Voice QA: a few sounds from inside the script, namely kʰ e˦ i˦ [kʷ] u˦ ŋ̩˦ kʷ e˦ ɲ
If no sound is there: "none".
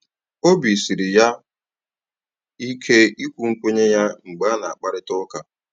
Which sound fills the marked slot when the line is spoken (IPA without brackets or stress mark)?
kʷ